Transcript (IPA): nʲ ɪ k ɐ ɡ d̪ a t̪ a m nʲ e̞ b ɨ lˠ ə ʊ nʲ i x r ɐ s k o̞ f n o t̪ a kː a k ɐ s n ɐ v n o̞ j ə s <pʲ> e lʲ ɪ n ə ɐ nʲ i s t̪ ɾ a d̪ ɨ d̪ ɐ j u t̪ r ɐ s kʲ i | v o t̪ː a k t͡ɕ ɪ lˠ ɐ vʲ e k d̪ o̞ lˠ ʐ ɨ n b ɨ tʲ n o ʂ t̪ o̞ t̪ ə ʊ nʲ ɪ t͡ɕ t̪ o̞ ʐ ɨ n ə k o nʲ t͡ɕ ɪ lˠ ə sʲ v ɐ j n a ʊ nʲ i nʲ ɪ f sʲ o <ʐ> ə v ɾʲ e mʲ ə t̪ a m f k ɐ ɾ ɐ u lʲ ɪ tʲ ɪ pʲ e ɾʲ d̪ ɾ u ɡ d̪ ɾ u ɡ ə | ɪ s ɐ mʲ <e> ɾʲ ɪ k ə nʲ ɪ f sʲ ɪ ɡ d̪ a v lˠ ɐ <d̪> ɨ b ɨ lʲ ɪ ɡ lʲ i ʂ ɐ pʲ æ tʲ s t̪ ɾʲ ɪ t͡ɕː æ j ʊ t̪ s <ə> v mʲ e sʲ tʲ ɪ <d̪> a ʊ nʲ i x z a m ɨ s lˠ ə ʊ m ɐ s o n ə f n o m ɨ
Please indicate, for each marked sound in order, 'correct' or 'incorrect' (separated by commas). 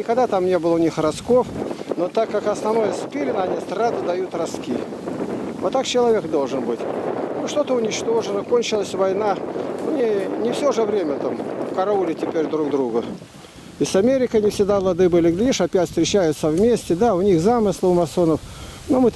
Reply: correct, correct, correct, correct, correct, correct